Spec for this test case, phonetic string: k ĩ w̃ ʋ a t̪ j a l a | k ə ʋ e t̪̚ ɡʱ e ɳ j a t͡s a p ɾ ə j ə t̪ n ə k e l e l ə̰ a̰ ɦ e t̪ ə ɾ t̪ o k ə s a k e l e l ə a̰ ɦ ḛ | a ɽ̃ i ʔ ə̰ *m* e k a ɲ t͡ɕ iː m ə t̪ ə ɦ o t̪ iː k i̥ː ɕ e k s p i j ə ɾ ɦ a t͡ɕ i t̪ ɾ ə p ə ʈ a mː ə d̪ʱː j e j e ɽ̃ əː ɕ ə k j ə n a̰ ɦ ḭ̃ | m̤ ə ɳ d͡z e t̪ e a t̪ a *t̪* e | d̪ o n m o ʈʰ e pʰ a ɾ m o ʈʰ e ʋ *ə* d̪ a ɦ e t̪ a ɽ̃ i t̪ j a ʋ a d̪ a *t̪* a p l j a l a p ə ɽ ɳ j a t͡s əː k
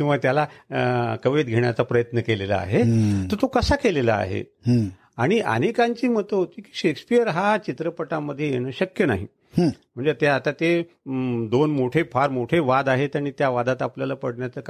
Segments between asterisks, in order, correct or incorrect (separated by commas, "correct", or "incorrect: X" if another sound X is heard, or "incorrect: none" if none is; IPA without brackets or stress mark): incorrect: n, correct, incorrect: a, correct